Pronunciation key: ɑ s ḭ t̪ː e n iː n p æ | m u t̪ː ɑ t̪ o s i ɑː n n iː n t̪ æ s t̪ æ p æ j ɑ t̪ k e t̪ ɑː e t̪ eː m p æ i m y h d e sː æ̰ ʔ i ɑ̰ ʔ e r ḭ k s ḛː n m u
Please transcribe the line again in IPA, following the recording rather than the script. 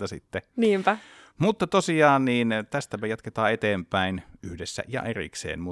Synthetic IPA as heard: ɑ s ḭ t̪ː e n iː m p æ | m u t̪ː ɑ t̪ o s i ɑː n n iː n t̪ æ s t̪ æ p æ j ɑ t̪ k e t̪ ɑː e t̪ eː m p æ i n y h d e sː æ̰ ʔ j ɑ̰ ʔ e r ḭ k s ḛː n m u